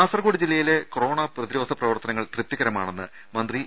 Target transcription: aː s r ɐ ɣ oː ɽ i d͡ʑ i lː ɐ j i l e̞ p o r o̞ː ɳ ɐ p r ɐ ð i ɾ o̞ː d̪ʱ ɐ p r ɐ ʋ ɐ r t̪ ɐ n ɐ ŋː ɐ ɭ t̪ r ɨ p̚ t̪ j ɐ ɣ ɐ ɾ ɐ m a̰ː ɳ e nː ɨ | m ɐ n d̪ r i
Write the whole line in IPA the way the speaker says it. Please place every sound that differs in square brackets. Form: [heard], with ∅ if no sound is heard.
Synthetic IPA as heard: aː s r ɐ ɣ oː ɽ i d͡ʑ i lː ɐ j i l e̞ [k] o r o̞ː ɳ ɐ p r ɐ ð i ɾ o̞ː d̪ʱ ɐ p r ɐ ʋ ɐ r t̪ ɐ n ɐ ŋː ɐ ɭ t̪ r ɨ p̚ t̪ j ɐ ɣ ɐ ɾ ɐ m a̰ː ɳ e nː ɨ | m ɐ n d̪ r i